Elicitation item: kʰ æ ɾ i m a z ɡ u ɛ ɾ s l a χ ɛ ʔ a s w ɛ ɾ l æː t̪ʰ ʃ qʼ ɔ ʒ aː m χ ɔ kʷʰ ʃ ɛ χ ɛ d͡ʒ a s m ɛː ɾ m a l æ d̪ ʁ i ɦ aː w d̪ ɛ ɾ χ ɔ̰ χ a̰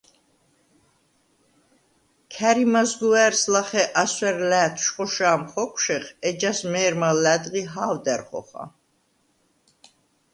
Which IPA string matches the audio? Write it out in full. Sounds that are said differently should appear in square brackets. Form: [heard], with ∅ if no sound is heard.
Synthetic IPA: kʰ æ ɾ i m a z ɡ u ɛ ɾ s l a χ ɛ ʔ a s w ɛ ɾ l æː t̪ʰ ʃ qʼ ɔ [ʃ] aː m χ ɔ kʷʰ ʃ ɛ χ ɛ d͡ʒ a s m ɛː ɾ m a l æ d̪ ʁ i ɦ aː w d̪ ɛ ɾ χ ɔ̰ χ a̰